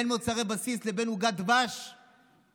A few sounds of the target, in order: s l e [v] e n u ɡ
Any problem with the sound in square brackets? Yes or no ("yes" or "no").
yes